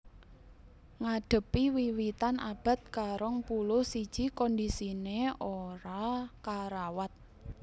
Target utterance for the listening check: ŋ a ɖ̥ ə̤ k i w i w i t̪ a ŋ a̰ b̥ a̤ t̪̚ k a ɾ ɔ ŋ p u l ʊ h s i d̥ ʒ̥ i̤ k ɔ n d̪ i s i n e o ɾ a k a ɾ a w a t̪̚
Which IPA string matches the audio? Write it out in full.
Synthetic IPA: ŋ a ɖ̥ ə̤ p i w i w i t̪ a n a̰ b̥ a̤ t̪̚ k a ɾ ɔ ŋ p u l ʊ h s i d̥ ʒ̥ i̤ k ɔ n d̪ i s i n e o ɾ a k a ɾ a w a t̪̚